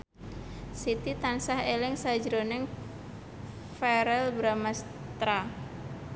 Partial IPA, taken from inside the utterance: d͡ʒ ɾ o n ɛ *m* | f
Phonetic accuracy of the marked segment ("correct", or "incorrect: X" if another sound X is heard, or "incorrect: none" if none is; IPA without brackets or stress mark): incorrect: ŋ